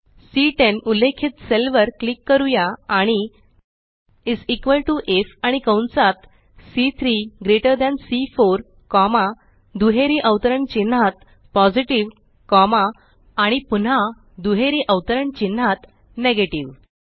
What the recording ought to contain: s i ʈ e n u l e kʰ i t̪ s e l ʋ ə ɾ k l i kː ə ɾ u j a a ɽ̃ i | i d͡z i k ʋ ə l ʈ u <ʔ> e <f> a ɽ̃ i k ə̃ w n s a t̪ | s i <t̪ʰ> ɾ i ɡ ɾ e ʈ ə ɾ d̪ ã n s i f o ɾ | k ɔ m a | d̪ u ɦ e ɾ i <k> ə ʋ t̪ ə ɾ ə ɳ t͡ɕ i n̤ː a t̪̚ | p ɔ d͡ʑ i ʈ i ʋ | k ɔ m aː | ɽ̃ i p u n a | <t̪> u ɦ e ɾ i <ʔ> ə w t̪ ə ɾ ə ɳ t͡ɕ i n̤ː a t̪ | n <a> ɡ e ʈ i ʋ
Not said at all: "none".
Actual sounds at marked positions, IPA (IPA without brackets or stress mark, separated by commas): ʔ, f, t̪ʰ, ʔ, d̪, ʔ, e